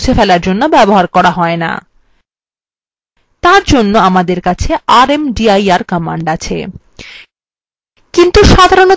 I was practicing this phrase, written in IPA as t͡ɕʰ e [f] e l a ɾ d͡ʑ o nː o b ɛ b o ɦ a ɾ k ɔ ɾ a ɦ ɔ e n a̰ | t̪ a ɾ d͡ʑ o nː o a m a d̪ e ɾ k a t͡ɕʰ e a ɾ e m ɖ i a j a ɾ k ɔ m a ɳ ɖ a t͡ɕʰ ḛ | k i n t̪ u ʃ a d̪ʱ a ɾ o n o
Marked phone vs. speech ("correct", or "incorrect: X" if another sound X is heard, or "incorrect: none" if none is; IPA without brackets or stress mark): correct